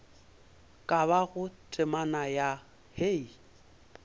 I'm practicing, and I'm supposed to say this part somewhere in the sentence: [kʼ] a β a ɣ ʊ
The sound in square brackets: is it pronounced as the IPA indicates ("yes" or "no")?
yes